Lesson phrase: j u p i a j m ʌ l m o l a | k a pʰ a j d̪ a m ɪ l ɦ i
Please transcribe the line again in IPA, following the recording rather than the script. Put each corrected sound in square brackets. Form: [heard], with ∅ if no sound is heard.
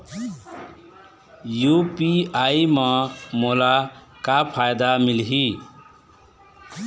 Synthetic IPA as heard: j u p i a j m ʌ [∅] m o l a | k a pʰ a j d̪ a m [i] l ɦ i